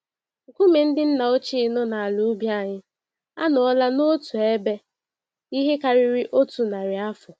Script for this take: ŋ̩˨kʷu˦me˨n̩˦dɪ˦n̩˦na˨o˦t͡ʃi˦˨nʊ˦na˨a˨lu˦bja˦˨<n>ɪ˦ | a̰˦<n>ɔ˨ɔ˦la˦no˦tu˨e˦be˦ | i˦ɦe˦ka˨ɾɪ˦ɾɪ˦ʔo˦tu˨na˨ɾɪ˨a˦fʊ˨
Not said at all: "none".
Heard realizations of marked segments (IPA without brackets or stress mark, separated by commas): ɲ, n